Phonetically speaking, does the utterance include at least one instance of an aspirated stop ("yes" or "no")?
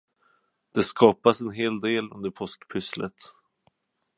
yes